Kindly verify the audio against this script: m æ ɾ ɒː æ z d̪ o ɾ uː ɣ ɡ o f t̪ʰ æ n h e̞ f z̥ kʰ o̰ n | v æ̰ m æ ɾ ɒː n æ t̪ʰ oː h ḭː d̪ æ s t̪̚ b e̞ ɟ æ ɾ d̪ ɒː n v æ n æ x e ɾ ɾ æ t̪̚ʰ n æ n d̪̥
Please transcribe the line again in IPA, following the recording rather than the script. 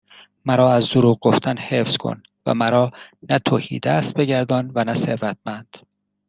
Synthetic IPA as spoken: m æ ɾ ɒː æ z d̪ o ɾ uː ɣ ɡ o f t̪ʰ æ n h e̞ f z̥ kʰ o̰ n | v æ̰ m æ ɾ ɒː n æ t̪ʰ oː h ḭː d̪ æ s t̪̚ b e̞ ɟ æ ɾ d̪ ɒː n v æ n æ s e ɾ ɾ æ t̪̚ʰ m æ n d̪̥

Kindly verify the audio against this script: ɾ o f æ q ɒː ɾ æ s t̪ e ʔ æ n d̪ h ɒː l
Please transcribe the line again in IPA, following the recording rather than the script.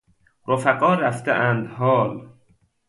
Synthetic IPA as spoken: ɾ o f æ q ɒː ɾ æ f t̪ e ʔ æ n d̪ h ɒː l

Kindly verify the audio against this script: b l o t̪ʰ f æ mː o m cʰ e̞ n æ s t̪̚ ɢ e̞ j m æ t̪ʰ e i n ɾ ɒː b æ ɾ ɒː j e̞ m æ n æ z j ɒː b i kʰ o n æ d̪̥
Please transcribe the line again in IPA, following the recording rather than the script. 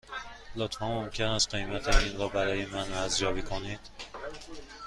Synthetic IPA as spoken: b l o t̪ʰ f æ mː o m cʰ e̞ n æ s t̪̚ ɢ e̞ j m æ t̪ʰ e i n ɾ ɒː b æ ɾ ɒː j e̞ m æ n æ z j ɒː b i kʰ o n i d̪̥

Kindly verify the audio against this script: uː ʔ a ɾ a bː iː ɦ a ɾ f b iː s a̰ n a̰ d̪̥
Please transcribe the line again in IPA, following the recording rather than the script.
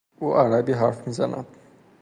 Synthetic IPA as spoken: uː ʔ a ɾ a b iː ɦ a ɾ f m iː z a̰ n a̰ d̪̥

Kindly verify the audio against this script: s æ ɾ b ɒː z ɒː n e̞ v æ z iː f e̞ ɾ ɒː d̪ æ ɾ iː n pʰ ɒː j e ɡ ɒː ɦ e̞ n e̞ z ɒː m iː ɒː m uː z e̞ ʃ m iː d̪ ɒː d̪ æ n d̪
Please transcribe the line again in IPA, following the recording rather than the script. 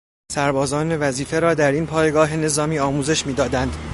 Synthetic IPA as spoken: s æ ɾ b ɒː z ɒː n e̞ v æ z iː f e̞ ɾ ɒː d̪ æ ɾ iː n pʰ ɒː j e ɡ ɒː ɦ e̞ n e̞ z ɒː m iː ɒː m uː z e̞ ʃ m iː d̪ ɒː d̪ æ n d̪

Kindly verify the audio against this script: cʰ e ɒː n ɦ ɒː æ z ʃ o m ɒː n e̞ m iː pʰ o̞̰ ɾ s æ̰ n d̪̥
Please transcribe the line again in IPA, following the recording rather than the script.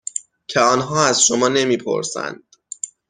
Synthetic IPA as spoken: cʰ e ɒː n ɦ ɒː æ z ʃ o m ɒː n e̞ m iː pʰ o̞̰ ɾ s æ̰ n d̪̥

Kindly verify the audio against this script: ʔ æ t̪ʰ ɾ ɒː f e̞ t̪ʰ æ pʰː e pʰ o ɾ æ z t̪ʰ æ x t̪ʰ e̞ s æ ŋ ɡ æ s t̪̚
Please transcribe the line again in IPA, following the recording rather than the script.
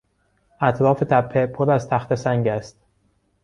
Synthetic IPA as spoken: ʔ æ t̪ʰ ɾ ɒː f e̞ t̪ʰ æ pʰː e pʰ o ɾ æ z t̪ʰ æ x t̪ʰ e̞ s æ ŋ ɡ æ s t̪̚

